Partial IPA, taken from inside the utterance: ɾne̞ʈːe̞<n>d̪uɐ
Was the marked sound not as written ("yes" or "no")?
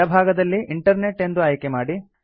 no